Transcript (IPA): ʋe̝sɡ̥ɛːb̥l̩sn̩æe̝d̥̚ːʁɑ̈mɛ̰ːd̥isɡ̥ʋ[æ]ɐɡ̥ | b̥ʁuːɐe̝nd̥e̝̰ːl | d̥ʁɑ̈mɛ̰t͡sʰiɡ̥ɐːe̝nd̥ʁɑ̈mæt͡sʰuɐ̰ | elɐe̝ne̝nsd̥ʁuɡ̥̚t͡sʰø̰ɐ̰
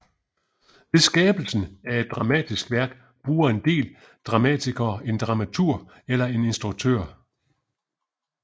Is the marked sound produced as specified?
yes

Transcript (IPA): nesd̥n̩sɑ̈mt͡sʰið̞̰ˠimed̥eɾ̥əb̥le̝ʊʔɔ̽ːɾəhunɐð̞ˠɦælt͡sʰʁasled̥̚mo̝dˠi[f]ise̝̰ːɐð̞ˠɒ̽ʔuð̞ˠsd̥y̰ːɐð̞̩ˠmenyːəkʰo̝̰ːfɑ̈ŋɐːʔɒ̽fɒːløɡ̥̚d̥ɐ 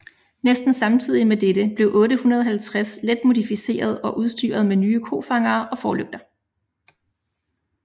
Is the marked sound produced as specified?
yes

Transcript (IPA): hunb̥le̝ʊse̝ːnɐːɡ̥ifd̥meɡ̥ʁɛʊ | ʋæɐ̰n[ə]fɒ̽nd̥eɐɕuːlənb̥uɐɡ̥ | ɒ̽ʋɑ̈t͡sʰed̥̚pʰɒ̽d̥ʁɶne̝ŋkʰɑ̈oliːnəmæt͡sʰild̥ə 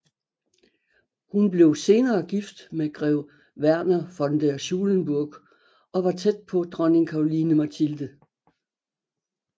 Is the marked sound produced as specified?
no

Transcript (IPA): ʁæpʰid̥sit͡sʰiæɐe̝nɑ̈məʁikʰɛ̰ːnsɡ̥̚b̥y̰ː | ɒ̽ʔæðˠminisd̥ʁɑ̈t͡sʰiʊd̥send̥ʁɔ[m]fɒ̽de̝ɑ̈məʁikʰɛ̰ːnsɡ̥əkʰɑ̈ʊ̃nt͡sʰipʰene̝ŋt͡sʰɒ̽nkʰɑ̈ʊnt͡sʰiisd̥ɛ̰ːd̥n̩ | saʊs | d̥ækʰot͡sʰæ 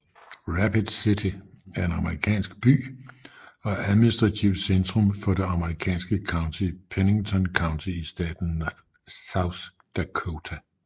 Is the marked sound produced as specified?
yes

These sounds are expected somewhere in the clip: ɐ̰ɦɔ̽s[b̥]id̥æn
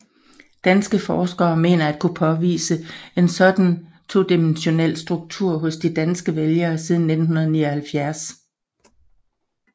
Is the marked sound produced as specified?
no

